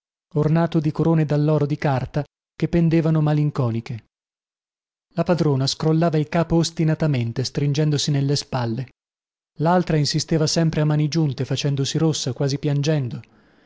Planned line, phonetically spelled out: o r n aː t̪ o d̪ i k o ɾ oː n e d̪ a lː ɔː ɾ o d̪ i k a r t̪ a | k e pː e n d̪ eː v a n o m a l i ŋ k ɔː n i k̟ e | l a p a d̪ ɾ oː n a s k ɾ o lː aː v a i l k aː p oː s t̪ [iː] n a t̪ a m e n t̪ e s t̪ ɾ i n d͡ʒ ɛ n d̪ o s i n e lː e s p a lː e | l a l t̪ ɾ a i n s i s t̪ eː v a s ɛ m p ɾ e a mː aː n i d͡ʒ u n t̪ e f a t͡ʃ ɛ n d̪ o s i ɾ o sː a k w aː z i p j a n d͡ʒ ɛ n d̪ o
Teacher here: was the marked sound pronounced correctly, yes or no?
no